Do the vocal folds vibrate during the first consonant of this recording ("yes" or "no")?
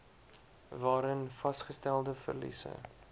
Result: yes